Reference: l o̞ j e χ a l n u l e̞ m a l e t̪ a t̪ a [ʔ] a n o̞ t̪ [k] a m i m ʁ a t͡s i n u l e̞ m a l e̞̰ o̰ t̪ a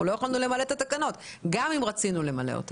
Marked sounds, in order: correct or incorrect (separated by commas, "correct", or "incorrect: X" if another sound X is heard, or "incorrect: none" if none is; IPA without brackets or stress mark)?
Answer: incorrect: k, incorrect: ɡ